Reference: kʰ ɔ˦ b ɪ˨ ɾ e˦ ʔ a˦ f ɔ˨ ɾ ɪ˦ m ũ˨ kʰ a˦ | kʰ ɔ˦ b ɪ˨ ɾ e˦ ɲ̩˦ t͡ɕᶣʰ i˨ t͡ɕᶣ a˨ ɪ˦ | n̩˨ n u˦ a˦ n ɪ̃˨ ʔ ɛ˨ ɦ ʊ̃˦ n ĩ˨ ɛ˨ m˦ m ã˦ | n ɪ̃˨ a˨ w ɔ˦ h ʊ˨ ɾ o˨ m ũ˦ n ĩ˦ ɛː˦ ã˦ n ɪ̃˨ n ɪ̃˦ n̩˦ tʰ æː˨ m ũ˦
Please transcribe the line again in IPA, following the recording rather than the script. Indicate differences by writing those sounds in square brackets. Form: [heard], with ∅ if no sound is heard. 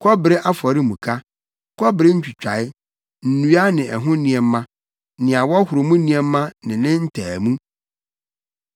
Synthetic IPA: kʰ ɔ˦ b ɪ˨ ɾ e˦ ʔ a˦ f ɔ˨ ɾ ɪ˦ m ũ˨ kʰ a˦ | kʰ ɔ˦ b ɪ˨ ɾ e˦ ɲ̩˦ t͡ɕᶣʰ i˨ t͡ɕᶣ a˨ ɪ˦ | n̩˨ n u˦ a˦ n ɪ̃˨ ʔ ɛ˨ ɦ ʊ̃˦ n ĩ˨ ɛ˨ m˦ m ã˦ | n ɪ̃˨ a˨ w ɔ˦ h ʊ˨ ɾ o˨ m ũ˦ n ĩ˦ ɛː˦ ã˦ n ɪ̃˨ n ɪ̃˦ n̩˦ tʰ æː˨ m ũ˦